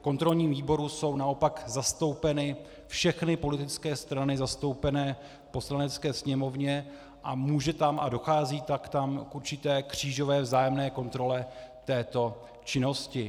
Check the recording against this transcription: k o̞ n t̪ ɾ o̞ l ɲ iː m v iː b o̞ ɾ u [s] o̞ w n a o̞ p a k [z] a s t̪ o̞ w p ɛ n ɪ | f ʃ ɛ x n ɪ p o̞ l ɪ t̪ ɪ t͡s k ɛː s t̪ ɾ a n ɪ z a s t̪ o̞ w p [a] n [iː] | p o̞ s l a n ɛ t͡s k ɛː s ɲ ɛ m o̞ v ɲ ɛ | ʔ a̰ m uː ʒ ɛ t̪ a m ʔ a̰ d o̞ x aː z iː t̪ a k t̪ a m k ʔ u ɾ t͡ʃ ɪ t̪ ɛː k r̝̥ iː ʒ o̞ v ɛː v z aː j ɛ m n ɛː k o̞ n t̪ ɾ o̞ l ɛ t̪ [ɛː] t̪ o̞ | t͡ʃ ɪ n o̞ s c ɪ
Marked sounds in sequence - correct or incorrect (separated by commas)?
correct, correct, incorrect, incorrect, correct